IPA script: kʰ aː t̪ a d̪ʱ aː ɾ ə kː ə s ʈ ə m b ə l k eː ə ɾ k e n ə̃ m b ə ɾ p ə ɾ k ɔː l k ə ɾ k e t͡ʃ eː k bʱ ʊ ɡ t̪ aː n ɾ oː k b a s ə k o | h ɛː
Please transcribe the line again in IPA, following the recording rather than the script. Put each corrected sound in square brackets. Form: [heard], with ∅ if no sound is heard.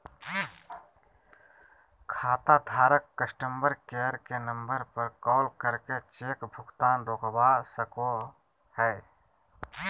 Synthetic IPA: kʰ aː t̪ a d̪ʱ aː ɾ ə kː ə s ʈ ə m b ə [ɾ] k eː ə ɾ k e n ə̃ m b ə ɾ p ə ɾ k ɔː l k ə ɾ k e t͡ʃ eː k bʱ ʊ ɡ t̪ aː n ɾ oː k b a s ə k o | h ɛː